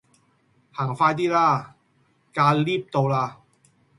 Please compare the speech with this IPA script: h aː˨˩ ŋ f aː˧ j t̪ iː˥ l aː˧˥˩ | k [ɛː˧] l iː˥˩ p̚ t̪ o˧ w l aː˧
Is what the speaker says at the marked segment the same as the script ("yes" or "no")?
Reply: no